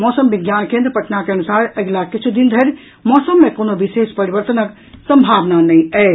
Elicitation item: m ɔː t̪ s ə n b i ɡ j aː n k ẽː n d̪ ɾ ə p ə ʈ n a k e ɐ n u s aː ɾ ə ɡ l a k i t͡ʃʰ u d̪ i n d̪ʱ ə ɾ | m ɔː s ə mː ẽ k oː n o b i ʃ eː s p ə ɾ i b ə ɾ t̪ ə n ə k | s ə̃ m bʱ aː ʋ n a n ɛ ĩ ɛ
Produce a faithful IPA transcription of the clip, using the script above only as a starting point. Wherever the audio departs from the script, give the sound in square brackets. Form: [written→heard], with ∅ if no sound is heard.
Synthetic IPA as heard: m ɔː [t̪→∅] s ə [n→m] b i ɡ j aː n k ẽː n d̪ ɾ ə p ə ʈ n a k e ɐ n u s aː ɾ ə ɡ l a k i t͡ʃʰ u d̪ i n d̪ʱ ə ɾ | m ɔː s ə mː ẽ k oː n o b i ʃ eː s p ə ɾ i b ə ɾ t̪ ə n ə k | s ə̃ m bʱ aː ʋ n a n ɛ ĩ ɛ

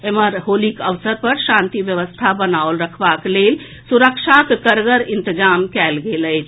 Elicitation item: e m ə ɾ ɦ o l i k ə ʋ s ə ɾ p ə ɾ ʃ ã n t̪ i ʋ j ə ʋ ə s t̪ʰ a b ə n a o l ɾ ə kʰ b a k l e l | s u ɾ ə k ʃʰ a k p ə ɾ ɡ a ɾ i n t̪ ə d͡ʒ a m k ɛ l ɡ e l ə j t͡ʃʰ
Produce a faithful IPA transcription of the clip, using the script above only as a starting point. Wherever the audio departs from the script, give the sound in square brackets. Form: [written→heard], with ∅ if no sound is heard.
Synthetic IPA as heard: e m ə ɾ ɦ o l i k ə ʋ s ə ɾ p ə ɾ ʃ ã n t̪ i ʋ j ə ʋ ə s t̪ʰ a b ə n a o l ɾ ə kʰ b a k l e l | s u ɾ ə k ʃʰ a k [p→k] ə ɾ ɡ [a→ə] ɾ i n t̪ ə d͡ʒ a m k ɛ l ɡ e l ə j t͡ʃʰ

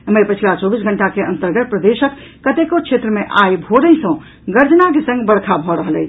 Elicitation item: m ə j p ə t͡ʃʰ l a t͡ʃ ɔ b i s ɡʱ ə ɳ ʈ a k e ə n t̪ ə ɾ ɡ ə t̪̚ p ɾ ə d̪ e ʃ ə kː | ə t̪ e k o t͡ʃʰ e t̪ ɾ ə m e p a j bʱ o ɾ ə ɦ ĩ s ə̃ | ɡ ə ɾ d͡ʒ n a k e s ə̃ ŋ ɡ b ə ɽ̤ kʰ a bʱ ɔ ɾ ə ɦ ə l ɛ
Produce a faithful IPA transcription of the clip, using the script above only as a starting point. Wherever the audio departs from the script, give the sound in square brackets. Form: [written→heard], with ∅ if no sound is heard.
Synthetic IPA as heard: m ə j p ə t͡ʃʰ l a t͡ʃ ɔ b i s ɡʱ ə ɳ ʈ a k e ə n t̪ ə ɾ ɡ ə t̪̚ p ɾ ə d̪ e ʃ ə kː | ə t̪ e k o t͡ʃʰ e t̪ ɾ ə m e [p→ʔ] a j bʱ o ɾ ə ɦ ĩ s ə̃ | ɡ ə ɾ d͡ʒ n a k e s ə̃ ŋ ɡ b ə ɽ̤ kʰ a bʱ ɔ ɾ ə ɦ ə l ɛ

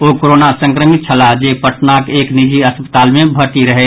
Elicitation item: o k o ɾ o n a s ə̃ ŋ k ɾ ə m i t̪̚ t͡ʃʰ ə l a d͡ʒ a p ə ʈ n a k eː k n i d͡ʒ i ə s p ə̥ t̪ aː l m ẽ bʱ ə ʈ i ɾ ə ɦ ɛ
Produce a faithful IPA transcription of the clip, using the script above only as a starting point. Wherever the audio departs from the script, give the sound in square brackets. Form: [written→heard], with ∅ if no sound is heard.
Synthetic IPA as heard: o k o ɾ o n a s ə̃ ŋ k ɾ ə m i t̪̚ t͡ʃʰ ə l a d͡ʒ [a→e] p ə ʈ n a k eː k n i d͡ʒ i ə s p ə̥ t̪ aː l m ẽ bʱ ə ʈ i ɾ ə ɦ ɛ

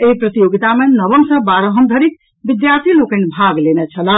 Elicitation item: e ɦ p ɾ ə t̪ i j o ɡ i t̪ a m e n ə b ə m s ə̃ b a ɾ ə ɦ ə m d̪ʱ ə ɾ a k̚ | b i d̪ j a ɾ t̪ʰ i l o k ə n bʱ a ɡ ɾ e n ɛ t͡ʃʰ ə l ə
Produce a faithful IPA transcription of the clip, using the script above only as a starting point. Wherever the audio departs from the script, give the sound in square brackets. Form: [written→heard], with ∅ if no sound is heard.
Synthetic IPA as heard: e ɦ p ɾ ə t̪ i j o ɡ i t̪ a m e n ə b ə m s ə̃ b a ɾ ə ɦ ə m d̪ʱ ə ɾ [a→i] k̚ | b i d̪ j a ɾ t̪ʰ i l o k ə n bʱ a ɡ [ɾ→l] e n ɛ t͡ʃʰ ə l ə

